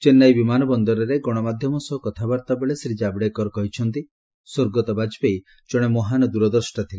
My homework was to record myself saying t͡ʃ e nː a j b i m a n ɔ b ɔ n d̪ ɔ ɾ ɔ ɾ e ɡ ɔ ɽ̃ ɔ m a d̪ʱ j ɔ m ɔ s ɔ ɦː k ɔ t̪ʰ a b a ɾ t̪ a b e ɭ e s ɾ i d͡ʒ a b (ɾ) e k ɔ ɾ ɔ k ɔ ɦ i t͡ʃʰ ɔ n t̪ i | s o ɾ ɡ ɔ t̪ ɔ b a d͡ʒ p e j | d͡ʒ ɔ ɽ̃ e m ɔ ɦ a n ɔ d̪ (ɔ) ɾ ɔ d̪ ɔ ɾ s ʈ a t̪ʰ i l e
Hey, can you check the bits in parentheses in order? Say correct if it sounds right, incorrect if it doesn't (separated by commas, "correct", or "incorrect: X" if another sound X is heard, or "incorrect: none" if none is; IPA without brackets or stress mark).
incorrect: ɽ, incorrect: u